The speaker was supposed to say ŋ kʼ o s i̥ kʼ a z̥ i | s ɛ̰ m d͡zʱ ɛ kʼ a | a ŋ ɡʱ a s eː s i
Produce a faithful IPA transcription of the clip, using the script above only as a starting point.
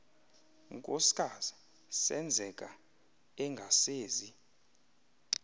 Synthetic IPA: ŋ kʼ o s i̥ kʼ a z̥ i | s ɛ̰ n d͡zʱ ɛ kʼ a | ɛ ŋ ɡʱ a s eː z i